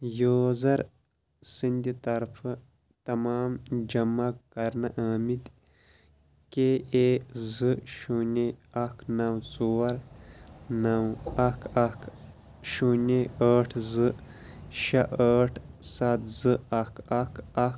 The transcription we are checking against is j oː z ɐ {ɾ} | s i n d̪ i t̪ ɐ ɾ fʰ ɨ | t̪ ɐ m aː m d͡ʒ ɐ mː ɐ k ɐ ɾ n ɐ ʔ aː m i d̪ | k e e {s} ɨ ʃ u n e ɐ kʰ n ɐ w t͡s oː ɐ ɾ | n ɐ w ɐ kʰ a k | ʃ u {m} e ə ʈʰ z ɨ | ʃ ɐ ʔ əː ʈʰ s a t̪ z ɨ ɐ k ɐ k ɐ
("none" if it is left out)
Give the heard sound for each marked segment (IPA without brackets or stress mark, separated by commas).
ɾ, z, n